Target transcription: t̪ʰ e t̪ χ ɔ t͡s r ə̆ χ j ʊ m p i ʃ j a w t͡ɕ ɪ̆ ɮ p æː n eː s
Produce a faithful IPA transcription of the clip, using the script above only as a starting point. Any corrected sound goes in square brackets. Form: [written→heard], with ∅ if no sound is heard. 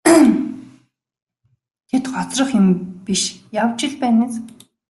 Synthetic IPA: t̪ʰ e t̪ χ ɔ t͡s r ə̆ χ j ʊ m p i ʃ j a w t͡ɕ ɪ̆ ɮ p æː n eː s